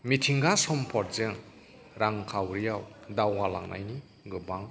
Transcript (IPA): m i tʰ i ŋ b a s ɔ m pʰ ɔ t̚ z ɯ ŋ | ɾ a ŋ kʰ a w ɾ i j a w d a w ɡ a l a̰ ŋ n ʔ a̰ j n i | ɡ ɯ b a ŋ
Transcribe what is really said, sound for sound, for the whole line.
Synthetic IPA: m i tʰ i ŋ ɡ a s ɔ m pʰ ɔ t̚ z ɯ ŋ | ɾ a ŋ kʰ a w ɾ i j a w d a w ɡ a l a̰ ŋ n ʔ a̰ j n i | ɡ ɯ b a ŋ